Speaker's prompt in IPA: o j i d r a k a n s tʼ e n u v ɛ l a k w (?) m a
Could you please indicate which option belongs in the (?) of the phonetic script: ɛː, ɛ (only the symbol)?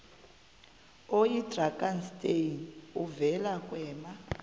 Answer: ɛː